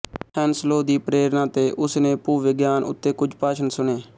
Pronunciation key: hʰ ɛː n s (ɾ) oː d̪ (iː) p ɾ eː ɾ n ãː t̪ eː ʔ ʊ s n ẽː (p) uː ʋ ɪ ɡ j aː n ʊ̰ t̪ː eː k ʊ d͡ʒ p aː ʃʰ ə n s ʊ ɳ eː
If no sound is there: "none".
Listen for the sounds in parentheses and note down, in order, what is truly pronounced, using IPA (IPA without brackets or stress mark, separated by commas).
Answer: l, iː, p